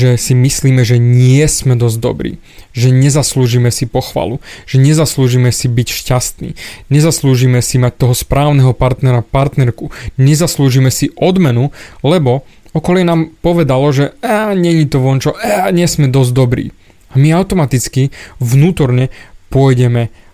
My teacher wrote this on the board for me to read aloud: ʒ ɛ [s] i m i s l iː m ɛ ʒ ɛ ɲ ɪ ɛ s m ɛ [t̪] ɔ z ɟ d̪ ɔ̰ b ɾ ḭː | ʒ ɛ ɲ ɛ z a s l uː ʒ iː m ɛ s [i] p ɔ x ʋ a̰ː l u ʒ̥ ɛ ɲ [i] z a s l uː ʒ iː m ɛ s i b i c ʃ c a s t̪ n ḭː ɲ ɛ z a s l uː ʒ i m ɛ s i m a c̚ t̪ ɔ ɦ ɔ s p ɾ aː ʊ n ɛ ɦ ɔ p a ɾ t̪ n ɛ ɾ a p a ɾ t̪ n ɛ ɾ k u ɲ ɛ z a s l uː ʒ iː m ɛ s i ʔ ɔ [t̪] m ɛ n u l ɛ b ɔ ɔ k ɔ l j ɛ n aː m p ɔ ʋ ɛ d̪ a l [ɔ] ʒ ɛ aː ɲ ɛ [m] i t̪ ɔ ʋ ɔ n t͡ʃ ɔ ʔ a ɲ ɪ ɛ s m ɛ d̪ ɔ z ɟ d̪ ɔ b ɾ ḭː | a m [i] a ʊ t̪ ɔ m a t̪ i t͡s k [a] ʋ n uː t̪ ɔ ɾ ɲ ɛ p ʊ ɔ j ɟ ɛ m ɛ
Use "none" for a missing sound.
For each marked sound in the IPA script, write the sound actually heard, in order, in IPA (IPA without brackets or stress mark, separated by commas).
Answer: s, d̪, i, ɛ, d̪, ɔ, ɲ, i, i